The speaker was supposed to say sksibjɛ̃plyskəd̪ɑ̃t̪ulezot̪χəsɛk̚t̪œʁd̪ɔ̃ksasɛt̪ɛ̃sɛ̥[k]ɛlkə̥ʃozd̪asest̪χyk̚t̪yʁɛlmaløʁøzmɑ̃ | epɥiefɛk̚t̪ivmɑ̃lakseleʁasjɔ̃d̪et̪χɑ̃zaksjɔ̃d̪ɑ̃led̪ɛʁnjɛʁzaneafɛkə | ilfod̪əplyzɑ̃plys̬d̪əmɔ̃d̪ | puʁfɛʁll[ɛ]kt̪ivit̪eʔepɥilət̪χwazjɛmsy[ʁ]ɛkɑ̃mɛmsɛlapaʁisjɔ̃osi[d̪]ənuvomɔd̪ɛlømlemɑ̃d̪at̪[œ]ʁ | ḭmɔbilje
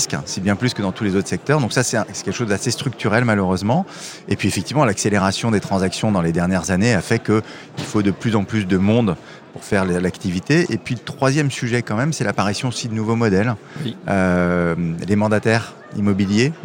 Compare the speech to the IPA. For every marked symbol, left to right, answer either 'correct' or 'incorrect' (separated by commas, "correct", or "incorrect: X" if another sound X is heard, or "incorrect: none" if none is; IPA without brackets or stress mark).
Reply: correct, incorrect: a, incorrect: ʒ, correct, incorrect: ɛ